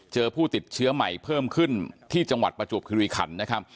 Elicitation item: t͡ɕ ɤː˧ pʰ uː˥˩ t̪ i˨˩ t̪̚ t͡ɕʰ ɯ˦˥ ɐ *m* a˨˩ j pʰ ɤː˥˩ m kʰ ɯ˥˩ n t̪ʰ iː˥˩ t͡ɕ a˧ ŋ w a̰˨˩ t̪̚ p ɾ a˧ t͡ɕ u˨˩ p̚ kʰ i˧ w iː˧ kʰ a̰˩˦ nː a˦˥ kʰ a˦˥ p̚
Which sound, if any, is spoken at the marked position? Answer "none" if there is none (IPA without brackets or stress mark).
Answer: m